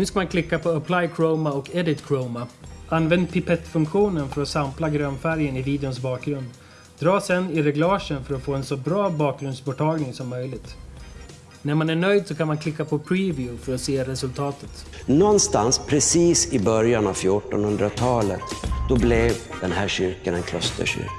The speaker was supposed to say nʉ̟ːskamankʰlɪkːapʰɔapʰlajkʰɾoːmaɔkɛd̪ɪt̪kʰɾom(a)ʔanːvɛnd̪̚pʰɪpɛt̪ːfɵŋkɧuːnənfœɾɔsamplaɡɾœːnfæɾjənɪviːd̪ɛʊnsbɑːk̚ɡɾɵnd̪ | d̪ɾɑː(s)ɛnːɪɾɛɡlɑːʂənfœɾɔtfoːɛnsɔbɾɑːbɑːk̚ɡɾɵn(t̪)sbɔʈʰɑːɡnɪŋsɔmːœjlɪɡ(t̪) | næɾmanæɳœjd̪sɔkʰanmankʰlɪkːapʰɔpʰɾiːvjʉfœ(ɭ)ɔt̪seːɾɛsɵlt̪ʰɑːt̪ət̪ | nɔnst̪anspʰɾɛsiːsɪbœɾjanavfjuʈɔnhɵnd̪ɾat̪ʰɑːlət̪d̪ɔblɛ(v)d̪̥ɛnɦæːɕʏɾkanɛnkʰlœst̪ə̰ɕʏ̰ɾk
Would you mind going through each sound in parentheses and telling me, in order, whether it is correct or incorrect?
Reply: correct, correct, incorrect, correct, incorrect, correct

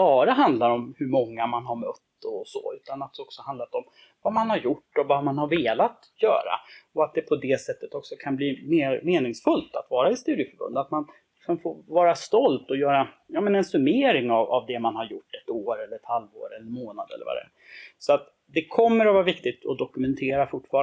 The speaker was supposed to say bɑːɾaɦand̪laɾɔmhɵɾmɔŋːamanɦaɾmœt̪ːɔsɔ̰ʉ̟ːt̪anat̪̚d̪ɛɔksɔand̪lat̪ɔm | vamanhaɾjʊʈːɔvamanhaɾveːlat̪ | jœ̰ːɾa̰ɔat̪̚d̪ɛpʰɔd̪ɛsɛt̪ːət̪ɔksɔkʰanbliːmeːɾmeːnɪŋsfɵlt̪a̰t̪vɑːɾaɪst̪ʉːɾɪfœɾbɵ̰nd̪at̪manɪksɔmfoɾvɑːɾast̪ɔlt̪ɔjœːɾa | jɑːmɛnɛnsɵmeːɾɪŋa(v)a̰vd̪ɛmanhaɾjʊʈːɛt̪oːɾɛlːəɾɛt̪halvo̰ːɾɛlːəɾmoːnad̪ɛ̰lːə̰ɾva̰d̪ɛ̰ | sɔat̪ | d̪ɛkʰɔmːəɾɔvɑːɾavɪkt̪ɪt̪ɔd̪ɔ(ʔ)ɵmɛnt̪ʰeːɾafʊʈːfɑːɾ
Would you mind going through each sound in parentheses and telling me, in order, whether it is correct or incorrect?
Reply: correct, incorrect

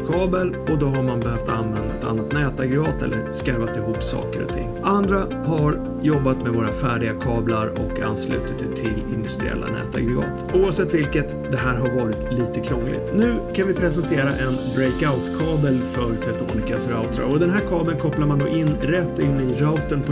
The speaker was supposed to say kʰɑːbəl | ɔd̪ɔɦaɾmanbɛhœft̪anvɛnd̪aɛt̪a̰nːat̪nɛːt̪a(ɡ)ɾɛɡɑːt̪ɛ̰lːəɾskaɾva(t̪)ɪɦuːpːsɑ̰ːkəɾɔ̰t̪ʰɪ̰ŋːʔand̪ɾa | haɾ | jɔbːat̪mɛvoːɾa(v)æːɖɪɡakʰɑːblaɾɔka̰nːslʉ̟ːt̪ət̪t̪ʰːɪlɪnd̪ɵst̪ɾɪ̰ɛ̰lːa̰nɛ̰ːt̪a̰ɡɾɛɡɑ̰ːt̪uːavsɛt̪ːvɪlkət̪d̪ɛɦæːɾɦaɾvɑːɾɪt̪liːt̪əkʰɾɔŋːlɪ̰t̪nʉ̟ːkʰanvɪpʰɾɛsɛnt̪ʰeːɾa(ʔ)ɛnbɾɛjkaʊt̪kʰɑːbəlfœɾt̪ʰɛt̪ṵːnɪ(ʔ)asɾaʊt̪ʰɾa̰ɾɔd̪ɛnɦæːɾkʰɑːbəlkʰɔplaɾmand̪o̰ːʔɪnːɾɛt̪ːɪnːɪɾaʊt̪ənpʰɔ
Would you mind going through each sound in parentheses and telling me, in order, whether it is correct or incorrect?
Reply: correct, correct, incorrect, correct, incorrect

